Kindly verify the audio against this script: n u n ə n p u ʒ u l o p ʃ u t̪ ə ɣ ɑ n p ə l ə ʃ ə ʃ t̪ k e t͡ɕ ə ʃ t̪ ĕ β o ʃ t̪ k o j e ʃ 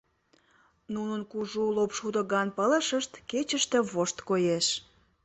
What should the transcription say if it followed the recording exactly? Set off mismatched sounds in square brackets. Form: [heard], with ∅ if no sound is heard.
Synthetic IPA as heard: n u n ə n [k] u ʒ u l o p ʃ u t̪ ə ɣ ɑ n p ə l ə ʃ ə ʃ t̪ k e t͡ɕ ə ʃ t̪ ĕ β o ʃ t̪ k o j e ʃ